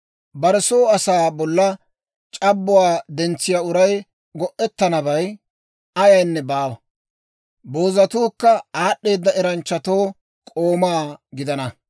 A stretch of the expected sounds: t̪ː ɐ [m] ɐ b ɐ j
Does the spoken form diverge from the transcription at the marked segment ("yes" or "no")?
yes